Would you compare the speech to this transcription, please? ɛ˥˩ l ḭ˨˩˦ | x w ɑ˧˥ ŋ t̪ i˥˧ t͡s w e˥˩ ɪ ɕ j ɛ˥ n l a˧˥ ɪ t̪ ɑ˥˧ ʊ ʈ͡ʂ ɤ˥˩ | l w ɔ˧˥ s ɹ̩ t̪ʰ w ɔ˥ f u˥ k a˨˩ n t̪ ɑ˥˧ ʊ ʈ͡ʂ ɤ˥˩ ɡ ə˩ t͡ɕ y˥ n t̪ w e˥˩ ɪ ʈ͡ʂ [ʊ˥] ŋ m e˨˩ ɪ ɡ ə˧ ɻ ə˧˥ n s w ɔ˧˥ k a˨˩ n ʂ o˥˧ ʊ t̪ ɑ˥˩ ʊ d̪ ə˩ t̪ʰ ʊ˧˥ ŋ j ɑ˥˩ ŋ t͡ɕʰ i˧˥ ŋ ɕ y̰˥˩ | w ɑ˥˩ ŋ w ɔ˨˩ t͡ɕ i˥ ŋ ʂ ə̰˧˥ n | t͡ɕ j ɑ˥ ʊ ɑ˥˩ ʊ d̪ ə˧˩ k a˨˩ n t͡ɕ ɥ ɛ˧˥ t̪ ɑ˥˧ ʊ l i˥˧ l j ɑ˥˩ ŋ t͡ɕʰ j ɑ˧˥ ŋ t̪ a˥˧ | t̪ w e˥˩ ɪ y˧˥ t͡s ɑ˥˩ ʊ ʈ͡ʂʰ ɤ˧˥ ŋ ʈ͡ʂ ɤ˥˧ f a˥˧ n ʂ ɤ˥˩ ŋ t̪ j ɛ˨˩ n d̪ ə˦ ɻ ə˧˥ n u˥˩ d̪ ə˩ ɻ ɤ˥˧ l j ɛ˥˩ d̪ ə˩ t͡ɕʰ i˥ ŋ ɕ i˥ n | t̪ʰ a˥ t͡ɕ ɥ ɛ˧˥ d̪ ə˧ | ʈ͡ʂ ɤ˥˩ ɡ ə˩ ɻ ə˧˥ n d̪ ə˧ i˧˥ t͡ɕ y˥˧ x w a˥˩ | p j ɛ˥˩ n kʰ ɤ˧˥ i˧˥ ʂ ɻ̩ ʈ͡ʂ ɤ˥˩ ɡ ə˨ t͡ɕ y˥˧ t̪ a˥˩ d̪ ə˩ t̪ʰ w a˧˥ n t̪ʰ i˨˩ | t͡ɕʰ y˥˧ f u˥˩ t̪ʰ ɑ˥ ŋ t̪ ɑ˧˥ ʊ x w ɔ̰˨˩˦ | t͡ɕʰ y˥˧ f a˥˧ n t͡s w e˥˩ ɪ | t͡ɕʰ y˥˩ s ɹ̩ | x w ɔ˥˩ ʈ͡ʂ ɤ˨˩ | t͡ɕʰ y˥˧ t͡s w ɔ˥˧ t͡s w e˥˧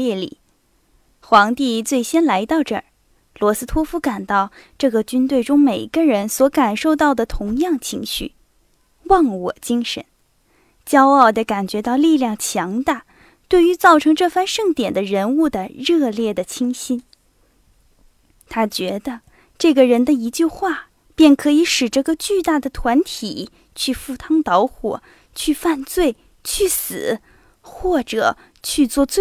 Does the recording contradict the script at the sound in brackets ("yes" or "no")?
no